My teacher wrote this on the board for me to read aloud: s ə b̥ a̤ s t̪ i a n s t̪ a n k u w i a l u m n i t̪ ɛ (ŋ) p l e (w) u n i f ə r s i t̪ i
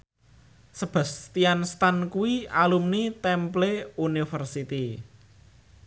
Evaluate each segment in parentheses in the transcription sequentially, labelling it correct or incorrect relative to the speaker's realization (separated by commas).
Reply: incorrect, incorrect